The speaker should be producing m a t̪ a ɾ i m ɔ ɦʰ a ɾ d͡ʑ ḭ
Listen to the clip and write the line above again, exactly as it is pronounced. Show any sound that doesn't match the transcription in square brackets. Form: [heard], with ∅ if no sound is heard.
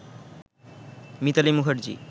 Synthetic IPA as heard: m [i] t̪ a [l] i m [u] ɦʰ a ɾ d͡ʑ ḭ

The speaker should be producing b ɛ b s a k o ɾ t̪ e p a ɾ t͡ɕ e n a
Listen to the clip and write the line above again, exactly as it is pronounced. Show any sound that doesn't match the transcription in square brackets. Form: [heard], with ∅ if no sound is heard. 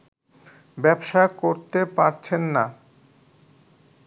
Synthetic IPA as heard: b ɛ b [ʃ] a k o ɾ t̪ e p a ɾ [t͡ɕʰ] e [nː] a

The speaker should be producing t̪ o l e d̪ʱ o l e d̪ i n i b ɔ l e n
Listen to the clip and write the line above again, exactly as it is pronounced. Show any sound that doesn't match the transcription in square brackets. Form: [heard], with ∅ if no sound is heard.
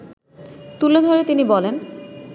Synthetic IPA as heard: t̪ [u] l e d̪ʱ o [ɾ] e [t̪] i n i b ɔ l e n

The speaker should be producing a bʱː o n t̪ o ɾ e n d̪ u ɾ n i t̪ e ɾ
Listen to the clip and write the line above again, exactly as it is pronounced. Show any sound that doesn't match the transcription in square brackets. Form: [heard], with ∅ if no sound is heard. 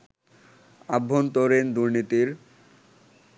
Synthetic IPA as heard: a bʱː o n t̪ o ɾ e n d̪ u ɾ n i t̪ [i] ɾ

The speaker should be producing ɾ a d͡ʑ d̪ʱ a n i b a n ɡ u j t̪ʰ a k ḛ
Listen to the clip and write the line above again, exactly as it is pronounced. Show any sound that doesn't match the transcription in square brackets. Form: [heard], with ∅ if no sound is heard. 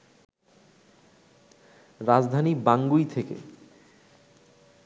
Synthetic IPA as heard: ɾ a d͡ʑ d̪ʱ a n i b a [ŋ] ɡ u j t̪ʰ [e] k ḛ

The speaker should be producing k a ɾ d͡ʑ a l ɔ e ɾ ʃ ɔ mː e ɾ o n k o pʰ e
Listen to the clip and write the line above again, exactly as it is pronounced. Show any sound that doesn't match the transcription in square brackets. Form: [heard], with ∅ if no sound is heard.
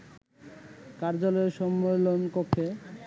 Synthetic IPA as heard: k a ɾ d͡ʑ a l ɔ e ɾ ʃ ɔ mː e [l] o n k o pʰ e

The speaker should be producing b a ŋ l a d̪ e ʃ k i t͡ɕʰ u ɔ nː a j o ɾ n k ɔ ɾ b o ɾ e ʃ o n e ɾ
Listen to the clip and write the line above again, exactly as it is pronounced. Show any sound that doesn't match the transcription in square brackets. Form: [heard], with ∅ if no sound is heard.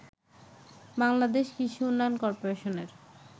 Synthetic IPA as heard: b a ŋ l a d̪ e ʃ k i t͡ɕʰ u [u] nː a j o [∅] n k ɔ ɾ [p] o ɾ e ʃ o n e ɾ

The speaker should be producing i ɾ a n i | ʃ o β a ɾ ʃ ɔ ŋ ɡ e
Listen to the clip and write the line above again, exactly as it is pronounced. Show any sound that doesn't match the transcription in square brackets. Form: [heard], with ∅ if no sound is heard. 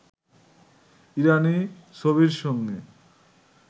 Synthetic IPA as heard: i ɾ a n i | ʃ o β [i] ɾ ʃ ɔ ŋ ɡ e

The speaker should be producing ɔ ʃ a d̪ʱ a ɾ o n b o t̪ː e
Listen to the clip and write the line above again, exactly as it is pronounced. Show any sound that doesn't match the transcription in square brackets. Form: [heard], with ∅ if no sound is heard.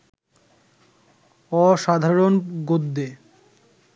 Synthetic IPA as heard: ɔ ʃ a d̪ʱ a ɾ o n [ɡ] o [d̪ː] e

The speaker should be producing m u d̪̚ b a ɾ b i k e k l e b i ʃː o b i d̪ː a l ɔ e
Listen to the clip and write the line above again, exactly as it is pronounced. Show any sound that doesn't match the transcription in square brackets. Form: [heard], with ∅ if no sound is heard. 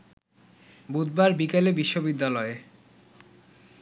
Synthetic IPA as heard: [b] u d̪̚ b a ɾ b i k e [∅] l e b i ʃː o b i d̪ː a l ɔ e

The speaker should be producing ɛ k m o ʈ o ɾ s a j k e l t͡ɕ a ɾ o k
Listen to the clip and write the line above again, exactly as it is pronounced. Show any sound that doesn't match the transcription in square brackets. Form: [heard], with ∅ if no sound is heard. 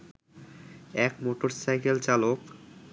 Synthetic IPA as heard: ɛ k m o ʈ o ɾ s a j k e l t͡ɕ a [l] o k

